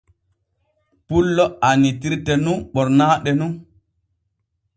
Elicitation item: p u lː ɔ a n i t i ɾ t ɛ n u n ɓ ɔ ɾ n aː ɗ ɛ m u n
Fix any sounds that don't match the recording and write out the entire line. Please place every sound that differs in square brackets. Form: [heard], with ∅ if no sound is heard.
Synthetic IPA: p u lː ɔ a n i t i ɾ t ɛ n u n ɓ ɔ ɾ n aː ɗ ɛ [n] u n